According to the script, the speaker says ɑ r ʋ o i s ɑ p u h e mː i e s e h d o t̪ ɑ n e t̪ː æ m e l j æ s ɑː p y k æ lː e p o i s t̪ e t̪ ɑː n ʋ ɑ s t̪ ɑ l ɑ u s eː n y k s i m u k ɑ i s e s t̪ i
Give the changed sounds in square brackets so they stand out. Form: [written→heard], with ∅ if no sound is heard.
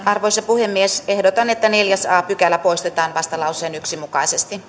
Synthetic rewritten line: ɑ r ʋ o i s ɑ p u h e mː i e s e h d o t̪ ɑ n e t̪ː æ [m→n] e l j æ s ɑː p y k æ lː [e→æ] p o i s t̪ e t̪ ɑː n ʋ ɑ s t̪ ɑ l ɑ u s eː n y k s i m u k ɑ i s e s t̪ i